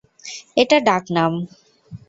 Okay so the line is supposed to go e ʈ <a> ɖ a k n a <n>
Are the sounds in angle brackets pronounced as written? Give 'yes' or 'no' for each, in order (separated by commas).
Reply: yes, no